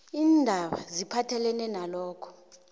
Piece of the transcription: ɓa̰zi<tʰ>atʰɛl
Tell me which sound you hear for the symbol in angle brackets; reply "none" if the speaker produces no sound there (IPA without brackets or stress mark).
pʰ